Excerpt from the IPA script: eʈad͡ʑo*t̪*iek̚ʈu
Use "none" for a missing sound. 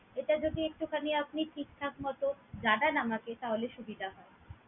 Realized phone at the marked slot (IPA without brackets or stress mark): d̪